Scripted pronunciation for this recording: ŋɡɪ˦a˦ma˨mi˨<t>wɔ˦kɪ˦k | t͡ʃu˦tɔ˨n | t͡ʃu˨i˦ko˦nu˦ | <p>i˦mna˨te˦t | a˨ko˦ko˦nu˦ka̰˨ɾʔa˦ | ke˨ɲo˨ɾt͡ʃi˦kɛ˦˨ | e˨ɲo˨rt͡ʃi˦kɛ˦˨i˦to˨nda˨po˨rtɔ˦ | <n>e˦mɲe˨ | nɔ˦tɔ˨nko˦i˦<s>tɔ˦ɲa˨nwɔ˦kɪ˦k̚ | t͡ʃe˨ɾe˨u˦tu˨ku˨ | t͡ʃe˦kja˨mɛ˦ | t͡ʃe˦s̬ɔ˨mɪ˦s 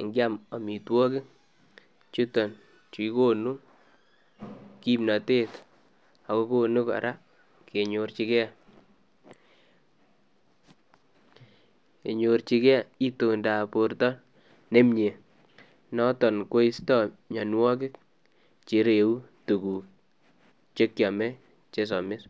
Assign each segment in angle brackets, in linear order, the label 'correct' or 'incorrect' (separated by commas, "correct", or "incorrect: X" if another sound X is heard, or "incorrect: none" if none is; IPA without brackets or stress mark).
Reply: correct, incorrect: k, correct, correct